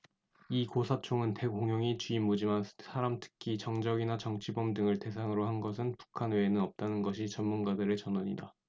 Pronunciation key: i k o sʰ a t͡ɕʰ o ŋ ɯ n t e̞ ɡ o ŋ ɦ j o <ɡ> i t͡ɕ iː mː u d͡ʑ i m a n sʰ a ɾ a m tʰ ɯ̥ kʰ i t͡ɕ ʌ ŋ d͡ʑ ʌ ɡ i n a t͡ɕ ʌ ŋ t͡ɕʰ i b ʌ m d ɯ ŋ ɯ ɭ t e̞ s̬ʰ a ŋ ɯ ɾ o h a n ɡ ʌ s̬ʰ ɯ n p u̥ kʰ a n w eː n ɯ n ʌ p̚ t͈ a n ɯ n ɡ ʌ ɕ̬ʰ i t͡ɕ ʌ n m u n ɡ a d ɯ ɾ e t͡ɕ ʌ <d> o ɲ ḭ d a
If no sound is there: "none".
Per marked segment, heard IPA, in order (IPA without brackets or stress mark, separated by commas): ŋ, n